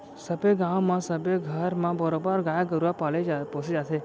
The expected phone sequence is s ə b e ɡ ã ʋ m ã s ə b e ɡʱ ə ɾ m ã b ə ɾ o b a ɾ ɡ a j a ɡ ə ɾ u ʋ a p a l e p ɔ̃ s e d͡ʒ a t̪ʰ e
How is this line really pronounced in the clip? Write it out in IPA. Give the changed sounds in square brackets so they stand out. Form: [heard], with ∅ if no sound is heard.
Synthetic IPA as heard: s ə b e ɡ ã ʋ m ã s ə b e ɡʱ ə ɾ m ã b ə ɾ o b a ɾ ɡ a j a ɡ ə ɾ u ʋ a p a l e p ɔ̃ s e d͡ʒ a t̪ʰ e